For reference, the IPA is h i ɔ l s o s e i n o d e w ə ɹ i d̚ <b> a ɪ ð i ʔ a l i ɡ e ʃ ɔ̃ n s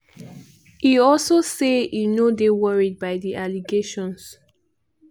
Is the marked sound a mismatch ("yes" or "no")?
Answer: no